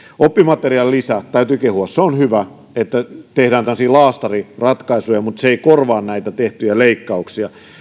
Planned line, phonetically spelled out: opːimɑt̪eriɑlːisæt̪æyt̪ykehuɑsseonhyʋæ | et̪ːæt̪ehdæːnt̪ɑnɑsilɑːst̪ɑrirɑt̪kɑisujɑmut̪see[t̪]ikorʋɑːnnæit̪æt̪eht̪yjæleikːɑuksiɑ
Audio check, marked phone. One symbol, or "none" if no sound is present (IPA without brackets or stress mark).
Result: none